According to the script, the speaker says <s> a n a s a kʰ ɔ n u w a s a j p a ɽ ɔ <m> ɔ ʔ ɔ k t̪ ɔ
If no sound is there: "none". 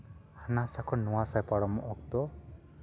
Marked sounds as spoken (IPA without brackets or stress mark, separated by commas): h, m